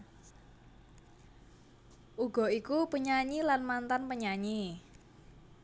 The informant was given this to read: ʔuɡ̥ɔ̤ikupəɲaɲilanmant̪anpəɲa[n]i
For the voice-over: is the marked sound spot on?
no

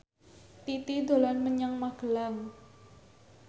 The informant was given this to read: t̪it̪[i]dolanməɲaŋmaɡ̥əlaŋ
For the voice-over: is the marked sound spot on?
yes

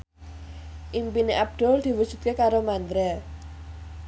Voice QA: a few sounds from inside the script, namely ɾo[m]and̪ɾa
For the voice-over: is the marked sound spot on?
yes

